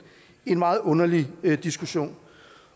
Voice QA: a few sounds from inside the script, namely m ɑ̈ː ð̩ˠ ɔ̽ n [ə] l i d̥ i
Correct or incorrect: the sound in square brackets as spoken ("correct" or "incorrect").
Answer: incorrect